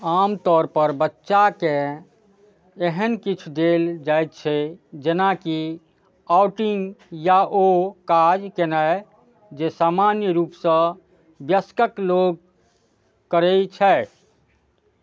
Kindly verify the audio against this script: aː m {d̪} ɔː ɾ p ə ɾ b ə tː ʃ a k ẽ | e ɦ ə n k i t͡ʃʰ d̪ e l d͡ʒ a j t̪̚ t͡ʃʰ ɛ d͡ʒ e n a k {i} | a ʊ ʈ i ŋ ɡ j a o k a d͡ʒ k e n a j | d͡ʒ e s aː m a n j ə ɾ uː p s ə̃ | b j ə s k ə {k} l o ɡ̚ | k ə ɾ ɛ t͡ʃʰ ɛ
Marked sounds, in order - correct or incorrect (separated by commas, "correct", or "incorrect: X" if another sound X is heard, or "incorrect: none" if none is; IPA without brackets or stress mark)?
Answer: incorrect: t̪, correct, correct